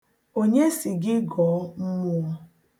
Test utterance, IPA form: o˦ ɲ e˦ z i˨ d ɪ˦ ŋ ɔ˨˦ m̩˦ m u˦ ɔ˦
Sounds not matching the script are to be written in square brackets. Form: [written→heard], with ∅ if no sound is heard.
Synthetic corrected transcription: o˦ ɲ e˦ [z→s] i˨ [d→ɡ] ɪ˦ [ŋ→ɡ] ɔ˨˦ m̩˦ m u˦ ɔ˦